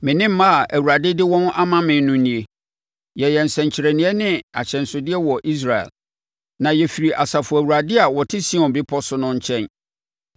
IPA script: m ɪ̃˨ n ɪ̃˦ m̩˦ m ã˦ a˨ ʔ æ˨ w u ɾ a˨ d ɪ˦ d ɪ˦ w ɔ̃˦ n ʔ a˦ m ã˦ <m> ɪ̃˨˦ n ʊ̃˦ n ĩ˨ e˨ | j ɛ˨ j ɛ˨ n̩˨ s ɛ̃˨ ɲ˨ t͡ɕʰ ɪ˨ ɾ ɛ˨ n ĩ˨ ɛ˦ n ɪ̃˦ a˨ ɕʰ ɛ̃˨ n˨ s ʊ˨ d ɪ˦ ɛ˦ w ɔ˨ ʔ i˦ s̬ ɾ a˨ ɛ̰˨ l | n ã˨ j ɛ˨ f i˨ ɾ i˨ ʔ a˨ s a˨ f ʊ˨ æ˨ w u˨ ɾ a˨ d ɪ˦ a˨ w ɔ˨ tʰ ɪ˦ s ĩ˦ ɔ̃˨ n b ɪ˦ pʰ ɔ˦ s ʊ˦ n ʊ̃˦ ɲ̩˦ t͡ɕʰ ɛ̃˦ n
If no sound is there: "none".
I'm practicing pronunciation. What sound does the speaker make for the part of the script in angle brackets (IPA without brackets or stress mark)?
m